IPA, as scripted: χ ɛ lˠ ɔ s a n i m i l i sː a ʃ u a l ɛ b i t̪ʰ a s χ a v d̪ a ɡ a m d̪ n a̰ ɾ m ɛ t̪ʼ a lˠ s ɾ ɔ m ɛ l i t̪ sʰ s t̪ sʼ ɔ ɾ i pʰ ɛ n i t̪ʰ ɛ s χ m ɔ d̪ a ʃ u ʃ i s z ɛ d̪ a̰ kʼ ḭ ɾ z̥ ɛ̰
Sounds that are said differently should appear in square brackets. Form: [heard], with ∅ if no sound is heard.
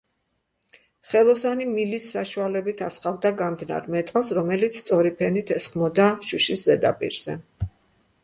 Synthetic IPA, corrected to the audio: χ ɛ lˠ ɔ s a n i m i l i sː a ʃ u a l ɛ b i t̪ʰ a s χ a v d̪ a ɡ a m d̪ n a̰ ɾ m ɛ t̪ʼ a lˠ s ɾ ɔ m ɛ l i t̪ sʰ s t̪ sʼ ɔ ɾ i pʰ ɛ n i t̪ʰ ɛ s χ m ɔ d̪ a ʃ u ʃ i s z ɛ d̪ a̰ [pʼ] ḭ ɾ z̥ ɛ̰